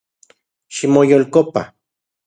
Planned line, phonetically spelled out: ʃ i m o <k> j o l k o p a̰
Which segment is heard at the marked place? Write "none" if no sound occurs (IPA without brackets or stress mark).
none